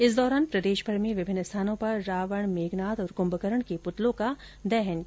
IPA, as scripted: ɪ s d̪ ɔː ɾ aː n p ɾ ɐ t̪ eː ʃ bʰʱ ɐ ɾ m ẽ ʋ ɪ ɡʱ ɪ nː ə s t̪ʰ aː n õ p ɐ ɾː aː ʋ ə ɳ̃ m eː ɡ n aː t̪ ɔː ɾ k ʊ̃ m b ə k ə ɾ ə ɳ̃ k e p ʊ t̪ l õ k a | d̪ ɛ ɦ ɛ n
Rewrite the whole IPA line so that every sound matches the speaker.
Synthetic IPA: ɪ s d̪ ɔː ɾ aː n p ɾ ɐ d̪ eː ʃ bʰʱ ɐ ɾ m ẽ ʋ ɪ bʱ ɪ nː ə s t̪ʰ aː n õ p ɐ ɾː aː ʋ ə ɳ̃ m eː ɡ n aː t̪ ɔː ɾ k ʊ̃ m b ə k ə ɾ ə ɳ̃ k e p ʊ t̪ l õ k a | d̪ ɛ ɦ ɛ n